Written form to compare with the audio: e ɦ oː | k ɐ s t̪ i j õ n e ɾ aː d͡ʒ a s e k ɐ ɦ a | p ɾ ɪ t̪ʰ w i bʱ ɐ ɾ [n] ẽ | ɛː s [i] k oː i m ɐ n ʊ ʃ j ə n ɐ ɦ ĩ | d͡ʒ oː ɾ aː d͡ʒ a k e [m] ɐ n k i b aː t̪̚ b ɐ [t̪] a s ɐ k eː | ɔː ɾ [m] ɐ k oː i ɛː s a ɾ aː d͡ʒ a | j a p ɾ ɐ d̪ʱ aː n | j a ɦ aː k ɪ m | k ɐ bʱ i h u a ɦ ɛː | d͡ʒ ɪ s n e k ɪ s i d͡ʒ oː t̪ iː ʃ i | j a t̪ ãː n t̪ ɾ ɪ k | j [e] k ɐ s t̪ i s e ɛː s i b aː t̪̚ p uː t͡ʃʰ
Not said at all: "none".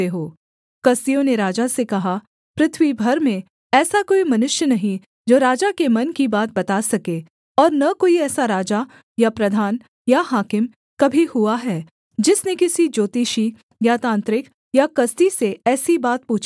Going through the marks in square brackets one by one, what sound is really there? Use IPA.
m, a, m, t̪, n, a

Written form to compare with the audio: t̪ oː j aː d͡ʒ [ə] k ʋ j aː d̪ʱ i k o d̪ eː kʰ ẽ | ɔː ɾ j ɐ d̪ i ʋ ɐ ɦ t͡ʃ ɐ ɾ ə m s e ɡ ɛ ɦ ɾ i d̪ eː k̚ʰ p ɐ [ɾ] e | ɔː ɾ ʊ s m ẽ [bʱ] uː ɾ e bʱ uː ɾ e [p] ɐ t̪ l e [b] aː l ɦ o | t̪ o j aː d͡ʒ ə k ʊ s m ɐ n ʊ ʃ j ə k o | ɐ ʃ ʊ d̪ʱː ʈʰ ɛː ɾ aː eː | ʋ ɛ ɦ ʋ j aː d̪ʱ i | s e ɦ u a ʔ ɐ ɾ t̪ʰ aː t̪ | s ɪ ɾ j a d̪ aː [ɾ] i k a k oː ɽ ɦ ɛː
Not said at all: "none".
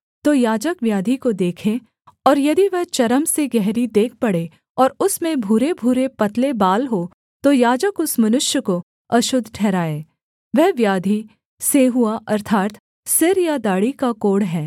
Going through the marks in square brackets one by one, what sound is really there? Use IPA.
ə, ɽ, bʱ, p, b, ɽ

